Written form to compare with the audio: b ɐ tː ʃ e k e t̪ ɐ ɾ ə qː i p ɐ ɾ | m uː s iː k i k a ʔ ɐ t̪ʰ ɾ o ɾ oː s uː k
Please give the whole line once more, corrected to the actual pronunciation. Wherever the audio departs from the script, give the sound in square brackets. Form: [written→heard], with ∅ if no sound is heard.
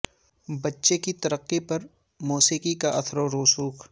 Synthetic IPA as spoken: b ɐ tː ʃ e k [e→i] t̪ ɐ ɾ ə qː i p ɐ ɾ | m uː s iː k i k a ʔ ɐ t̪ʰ ɾ o ɾ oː s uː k